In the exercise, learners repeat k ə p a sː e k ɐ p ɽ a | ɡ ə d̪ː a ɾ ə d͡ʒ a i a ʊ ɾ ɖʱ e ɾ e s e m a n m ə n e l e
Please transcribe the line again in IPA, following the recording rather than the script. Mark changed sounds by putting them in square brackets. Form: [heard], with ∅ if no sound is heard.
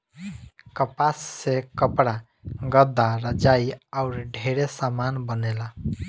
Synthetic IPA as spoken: k ə p a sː e k [ə] p ɽ a | ɡ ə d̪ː a ɾ ə d͡ʒ a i a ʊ ɾ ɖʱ e ɾ e s [a] m a n [b] ə n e l [a]